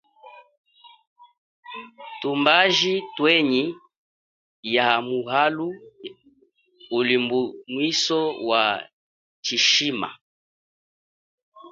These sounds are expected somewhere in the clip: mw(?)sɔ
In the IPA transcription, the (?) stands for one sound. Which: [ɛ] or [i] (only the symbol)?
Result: i